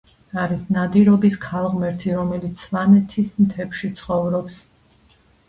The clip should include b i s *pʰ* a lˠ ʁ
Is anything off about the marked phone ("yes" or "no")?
yes